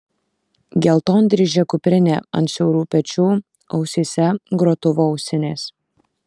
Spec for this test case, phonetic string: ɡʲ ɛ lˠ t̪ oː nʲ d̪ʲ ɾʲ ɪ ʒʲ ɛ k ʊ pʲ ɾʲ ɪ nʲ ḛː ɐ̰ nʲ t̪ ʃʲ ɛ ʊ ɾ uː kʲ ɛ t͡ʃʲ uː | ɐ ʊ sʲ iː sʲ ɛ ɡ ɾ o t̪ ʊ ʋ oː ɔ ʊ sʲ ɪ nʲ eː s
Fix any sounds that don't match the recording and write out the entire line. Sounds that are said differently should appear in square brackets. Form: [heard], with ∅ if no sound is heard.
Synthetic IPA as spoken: ɡʲ ɛ lˠ t̪ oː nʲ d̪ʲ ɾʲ ɪ ʒʲ ɛ k ʊ pʲ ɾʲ ɪ nʲ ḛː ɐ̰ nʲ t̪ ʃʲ ɛ ʊ ɾ uː [pʲ] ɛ t͡ʃʲ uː | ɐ ʊ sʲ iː sʲ ɛ ɡ ɾ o t̪ ʊ ʋ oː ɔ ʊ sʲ ɪ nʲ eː s